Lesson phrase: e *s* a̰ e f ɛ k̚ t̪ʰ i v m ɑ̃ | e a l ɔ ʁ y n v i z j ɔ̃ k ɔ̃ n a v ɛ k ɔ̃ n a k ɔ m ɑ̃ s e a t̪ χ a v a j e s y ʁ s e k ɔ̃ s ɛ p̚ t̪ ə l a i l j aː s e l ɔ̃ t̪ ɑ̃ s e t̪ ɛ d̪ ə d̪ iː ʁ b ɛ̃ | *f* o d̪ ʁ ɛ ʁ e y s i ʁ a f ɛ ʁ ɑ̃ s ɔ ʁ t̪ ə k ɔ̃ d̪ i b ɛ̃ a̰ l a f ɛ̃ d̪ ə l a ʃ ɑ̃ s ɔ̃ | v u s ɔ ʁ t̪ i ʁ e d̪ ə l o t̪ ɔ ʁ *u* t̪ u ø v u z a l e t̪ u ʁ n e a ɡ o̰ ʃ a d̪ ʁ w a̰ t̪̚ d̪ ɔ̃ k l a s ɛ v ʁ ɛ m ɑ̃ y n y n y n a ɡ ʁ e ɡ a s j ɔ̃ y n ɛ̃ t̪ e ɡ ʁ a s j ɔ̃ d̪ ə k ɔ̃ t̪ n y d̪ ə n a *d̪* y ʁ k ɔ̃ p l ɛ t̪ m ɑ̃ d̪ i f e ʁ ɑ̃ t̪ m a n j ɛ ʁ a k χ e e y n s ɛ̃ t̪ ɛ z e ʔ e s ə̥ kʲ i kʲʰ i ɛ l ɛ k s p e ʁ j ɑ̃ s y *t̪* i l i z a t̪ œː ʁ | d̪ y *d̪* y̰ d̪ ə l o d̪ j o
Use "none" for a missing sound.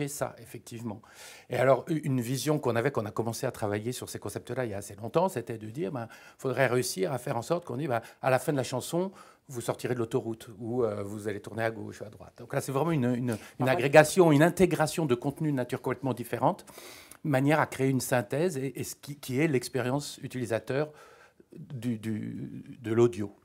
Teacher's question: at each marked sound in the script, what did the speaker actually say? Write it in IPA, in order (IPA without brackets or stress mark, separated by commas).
s, f, u, t̪, t̪, d̪